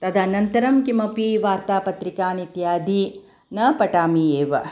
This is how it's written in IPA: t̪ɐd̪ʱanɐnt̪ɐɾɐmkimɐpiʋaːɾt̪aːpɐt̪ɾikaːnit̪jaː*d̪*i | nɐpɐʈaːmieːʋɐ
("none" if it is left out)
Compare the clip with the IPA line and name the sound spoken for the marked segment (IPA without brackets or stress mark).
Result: d̪